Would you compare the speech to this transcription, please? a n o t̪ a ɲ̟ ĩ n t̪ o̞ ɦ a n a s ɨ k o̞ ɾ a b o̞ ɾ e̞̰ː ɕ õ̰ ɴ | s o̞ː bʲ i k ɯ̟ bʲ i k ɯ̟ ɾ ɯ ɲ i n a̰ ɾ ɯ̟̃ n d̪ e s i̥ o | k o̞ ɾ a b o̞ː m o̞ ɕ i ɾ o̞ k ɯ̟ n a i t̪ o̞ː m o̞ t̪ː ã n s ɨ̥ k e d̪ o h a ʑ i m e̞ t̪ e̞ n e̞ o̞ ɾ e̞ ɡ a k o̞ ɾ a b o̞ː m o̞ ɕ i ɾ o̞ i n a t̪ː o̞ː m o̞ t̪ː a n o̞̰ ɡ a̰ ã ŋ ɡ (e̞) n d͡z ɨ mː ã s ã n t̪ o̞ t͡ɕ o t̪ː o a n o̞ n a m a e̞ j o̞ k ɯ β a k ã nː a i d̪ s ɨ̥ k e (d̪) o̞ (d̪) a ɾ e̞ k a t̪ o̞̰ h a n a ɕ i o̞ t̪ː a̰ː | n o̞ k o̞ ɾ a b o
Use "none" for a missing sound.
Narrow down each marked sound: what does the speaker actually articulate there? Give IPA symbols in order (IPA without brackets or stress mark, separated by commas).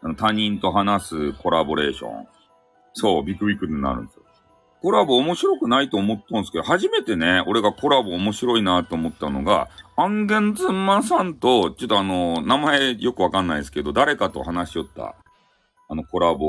ẽ̞, d̪, d̪